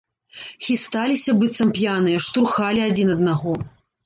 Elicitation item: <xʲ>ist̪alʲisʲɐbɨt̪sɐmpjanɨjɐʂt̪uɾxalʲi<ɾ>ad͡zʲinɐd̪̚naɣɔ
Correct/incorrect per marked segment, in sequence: correct, incorrect: none

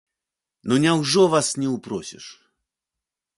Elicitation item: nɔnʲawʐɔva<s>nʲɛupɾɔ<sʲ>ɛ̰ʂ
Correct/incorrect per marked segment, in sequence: correct, correct

